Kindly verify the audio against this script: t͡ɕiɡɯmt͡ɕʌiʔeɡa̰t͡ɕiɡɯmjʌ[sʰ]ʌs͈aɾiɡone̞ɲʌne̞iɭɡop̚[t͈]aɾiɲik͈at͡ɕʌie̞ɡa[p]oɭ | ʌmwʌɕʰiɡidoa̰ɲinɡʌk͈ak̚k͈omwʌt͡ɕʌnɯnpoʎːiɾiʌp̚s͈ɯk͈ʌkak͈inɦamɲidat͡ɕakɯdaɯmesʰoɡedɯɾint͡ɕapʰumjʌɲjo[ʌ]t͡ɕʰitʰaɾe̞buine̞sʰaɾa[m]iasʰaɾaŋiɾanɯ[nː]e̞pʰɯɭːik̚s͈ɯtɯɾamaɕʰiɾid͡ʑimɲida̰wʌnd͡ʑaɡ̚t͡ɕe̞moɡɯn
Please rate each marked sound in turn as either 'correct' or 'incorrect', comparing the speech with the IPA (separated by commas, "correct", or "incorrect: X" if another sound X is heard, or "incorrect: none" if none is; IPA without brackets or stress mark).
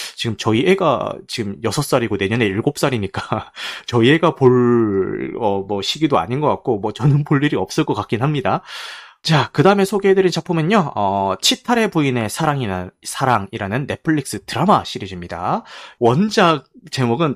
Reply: correct, incorrect: s͈, correct, correct, incorrect: ŋ, correct